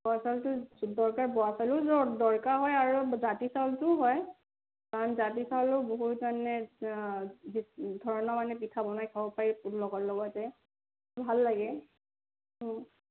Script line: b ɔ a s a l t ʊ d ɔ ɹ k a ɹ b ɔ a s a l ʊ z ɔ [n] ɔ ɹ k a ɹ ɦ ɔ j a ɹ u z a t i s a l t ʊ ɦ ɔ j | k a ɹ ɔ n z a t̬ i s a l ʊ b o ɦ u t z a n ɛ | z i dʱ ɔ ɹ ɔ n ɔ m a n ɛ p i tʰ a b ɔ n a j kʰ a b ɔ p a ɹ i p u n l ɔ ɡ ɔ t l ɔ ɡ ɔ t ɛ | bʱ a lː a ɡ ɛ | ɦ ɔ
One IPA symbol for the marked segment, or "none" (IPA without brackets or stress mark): d